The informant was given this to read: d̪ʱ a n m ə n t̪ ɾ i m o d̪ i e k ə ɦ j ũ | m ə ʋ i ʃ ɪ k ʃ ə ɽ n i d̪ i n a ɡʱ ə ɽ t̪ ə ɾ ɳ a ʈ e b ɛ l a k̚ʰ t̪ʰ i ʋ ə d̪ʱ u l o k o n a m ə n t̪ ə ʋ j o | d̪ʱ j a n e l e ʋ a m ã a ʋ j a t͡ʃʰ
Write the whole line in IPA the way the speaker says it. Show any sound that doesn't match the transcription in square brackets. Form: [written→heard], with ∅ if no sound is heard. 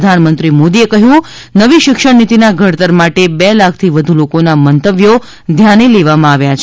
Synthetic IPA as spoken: d̪ʱ a n m ə n t̪ ɾ i m o d̪ i e k ə ɦ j ũ | [m→n] ə ʋ i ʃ ɪ k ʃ ə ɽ n i [d̪→t̪] i n a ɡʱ ə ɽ t̪ ə ɾ [ɳ→m] a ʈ e b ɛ l a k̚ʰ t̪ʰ i ʋ ə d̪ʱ u l o k o n a m ə n t̪ ə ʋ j o | d̪ʱ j a n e l e ʋ a m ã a ʋ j a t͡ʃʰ